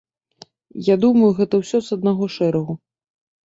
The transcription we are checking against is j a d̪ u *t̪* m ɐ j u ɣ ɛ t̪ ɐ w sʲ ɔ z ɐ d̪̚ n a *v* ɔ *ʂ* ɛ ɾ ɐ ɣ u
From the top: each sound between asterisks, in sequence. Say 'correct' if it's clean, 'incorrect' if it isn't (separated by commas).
incorrect, incorrect, correct